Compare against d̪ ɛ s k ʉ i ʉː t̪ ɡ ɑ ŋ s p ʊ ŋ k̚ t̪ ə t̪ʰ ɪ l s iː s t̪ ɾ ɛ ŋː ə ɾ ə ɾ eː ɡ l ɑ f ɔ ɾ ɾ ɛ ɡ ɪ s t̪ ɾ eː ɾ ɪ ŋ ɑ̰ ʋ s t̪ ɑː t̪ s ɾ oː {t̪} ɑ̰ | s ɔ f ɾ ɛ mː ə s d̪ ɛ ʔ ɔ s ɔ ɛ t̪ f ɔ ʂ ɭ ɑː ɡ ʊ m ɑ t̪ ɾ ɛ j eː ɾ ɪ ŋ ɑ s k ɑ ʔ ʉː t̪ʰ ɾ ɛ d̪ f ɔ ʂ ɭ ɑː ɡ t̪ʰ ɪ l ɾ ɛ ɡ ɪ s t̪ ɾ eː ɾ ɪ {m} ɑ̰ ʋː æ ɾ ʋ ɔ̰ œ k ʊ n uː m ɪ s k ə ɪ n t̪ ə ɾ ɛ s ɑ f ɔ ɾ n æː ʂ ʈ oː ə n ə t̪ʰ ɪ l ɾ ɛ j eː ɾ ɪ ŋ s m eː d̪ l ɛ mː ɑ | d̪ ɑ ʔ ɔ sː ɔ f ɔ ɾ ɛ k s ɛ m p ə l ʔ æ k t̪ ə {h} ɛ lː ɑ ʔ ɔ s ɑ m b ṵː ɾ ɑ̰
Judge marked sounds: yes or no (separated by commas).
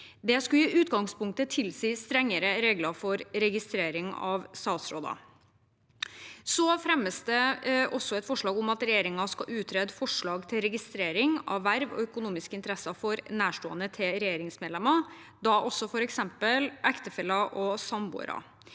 no, no, no